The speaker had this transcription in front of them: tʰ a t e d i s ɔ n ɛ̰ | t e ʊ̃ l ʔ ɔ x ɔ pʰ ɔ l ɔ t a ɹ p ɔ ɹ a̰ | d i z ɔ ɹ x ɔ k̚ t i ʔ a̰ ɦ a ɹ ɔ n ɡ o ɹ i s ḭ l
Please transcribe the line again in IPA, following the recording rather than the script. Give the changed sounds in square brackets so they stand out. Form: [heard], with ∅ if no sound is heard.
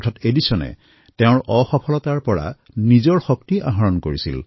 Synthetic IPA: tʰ a t e d i s ɔ n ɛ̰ | t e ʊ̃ [ɹ] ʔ ɔ x ɔ pʰ ɔ l ɔ t a ɹ p ɔ ɹ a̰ | [n] i z ɔ ɹ x ɔ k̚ t i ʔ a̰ ɦ a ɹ ɔ n [k] o ɹ i s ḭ l